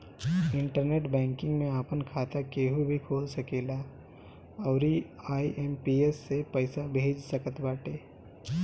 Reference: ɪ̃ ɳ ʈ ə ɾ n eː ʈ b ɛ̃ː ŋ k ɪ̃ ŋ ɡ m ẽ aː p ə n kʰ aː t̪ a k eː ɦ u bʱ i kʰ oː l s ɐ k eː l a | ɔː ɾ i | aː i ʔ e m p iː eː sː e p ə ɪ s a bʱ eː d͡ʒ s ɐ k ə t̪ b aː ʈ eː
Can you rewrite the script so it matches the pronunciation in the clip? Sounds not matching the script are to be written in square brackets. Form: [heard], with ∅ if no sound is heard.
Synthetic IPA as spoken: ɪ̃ ɳ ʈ ə ɾ n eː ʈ b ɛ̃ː ŋ k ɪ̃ ŋ ɡ m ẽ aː p ə n kʰ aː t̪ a k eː ɦ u bʱ i kʰ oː l s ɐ k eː l a | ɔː ɾ i | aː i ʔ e m p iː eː sː e p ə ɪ s a bʱ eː d͡ʒ s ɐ k ə t̪ b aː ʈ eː